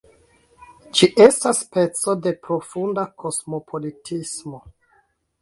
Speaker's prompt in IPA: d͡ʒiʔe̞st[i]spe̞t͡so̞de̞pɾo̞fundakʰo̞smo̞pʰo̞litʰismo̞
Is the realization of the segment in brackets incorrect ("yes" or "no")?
yes